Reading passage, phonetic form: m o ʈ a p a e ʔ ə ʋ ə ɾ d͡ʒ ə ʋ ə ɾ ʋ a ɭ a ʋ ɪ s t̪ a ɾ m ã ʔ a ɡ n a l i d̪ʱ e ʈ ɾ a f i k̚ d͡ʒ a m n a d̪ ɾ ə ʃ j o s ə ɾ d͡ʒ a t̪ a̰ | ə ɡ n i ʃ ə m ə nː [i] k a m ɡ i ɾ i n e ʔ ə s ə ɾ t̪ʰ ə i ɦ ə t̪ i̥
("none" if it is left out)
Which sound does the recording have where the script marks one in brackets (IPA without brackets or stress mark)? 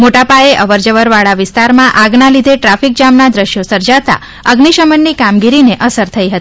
i